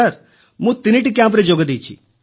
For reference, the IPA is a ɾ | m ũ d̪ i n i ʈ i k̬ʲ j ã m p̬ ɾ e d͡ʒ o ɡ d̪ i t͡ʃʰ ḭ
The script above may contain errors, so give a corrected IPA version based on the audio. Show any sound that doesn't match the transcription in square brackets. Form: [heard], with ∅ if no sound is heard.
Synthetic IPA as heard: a ɾ | m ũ [t̪] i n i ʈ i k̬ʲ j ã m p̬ ɾ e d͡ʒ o ɡ d̪ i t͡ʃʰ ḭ